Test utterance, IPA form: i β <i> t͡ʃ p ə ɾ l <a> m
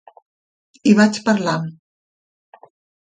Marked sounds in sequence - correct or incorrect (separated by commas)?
incorrect, correct